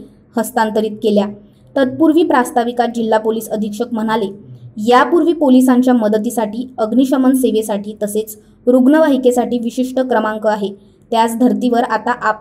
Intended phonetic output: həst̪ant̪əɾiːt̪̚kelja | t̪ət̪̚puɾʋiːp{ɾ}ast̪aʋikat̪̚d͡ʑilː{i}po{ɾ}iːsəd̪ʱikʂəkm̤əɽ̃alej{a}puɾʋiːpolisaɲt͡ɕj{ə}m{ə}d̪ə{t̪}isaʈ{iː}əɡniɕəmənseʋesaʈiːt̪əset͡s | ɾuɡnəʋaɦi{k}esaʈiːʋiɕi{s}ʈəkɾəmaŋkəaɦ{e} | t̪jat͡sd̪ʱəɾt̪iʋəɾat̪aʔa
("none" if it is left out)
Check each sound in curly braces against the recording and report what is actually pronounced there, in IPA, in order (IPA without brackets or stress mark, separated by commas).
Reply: ɾ, a, l, a, a, ə, t̪, iː, k, ʂ, e